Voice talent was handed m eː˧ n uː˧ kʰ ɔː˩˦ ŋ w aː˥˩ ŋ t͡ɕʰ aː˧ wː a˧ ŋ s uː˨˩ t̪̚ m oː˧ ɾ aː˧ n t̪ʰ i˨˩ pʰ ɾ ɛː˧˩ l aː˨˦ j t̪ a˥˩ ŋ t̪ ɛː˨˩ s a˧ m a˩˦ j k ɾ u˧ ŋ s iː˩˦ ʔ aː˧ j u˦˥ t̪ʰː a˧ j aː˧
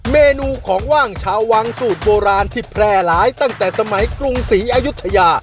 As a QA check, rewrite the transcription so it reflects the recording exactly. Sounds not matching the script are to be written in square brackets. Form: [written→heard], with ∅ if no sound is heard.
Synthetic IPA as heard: m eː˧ n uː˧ kʰ ɔː˩˦ ŋ w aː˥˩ ŋ t͡ɕʰ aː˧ wː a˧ ŋ s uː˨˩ t̪̚ [m→b] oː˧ ɾ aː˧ n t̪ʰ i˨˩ pʰ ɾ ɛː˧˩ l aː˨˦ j t̪ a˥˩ ŋ t̪ ɛː˨˩ s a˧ m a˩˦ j k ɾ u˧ ŋ s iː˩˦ ʔ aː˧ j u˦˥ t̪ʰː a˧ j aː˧